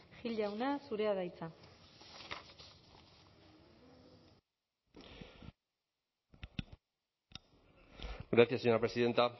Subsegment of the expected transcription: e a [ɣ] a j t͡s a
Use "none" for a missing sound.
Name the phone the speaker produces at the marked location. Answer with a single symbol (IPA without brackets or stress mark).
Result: ð